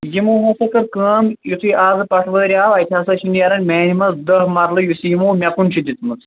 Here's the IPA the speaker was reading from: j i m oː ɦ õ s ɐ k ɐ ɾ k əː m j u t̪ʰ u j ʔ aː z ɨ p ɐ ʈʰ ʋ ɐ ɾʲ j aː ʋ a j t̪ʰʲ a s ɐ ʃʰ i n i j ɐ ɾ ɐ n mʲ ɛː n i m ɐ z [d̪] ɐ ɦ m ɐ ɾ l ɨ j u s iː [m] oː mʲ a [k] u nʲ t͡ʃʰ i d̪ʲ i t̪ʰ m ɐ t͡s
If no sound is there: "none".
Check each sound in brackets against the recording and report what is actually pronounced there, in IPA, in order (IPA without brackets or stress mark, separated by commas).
d̪, m, k